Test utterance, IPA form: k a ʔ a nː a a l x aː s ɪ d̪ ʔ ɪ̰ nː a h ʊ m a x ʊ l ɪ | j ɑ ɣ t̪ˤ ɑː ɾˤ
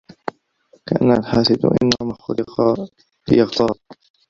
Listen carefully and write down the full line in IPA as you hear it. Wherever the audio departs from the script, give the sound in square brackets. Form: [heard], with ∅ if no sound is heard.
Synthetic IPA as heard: k a ʔ a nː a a l [ħ] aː s ɪ d̪ ʔ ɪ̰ nː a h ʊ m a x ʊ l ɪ | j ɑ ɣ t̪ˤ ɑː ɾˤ

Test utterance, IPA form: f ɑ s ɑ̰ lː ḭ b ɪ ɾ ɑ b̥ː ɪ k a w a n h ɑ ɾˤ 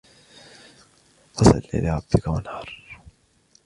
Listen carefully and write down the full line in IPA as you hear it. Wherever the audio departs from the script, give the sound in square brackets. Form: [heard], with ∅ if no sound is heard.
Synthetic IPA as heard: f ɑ s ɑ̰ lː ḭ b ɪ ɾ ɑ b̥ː ɪ k a w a n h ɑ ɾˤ

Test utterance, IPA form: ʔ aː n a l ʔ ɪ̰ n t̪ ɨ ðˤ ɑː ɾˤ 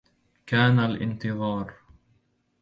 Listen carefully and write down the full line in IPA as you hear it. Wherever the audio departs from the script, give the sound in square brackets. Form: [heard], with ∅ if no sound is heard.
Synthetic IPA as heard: [k] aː n a l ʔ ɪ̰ n t̪ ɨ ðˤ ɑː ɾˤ

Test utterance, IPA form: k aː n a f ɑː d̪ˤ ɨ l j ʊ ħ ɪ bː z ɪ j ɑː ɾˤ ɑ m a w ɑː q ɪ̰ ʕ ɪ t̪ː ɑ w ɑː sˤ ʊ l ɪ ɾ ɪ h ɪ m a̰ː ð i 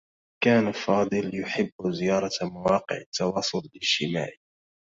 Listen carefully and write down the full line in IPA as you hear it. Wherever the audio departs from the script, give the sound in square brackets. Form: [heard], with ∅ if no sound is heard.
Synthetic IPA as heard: k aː n a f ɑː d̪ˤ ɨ l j ʊ ħ ɪ bː z ɪ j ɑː ɾˤ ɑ m a w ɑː q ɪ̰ ʕ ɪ t̪ː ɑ w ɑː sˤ ʊ l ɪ [l] ɪ [ʃ] ɪ m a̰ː [ʕ] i

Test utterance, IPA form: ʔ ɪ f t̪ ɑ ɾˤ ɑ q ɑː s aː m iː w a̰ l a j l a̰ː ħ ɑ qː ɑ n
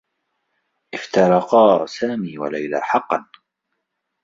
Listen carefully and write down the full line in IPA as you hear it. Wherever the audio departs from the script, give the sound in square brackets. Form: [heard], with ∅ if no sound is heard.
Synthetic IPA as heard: ʔ ɪ f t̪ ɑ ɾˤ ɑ q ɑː s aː m iː w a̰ l a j l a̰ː ħ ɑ qː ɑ n

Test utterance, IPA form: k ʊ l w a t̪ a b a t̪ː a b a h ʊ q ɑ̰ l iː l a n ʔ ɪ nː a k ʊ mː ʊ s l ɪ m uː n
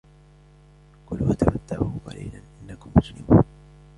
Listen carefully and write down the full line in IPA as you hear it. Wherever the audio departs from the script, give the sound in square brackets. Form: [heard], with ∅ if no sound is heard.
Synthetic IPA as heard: k ʊ l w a t̪ a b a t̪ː a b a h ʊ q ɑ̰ l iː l a n ʔ ɪ nː a k ʊ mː ʊ s l ɪ m uː n

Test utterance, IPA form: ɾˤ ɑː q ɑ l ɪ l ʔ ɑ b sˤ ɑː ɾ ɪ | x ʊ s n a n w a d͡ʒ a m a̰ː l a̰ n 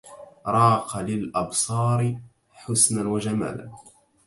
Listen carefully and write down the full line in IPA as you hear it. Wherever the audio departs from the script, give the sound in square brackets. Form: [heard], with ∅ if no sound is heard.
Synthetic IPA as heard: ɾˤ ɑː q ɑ l ɪ l ʔ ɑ b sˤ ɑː ɾ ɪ | [ħ] ʊ s n a n w a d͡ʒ a m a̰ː l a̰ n

